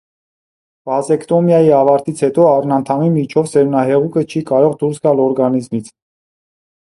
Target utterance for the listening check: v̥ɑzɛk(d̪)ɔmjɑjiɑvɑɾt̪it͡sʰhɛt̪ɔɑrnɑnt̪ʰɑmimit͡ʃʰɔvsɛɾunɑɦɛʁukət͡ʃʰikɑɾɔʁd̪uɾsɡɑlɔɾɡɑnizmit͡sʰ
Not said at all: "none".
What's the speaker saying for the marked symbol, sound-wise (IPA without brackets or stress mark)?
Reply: t̪